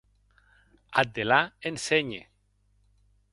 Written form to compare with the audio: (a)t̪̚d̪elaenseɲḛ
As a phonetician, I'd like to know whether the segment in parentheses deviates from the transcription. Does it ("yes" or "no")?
no